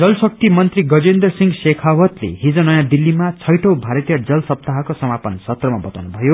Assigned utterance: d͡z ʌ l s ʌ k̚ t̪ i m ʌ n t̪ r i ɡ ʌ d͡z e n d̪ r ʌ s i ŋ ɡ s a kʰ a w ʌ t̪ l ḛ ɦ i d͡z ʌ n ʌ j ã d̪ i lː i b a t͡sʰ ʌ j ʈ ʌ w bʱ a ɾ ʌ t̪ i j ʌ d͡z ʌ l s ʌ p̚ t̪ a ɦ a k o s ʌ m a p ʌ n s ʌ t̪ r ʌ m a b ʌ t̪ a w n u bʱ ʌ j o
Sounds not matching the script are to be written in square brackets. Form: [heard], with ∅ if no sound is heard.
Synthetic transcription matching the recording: d͡z ʌ l s ʌ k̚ t̪ i m ʌ n t̪ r i ɡ ʌ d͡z e n d̪ r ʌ s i ŋ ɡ s [e] kʰ a w ʌ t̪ l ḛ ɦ i d͡z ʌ n ʌ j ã d̪ i lː i [m] a t͡sʰ ʌ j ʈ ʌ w bʱ a ɾ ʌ t̪ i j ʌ d͡z ʌ l s ʌ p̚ t̪ a ɦ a k o s ʌ m a p ʌ n s ʌ t̪ r ʌ m a b ʌ t̪ a w n u bʱ ʌ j o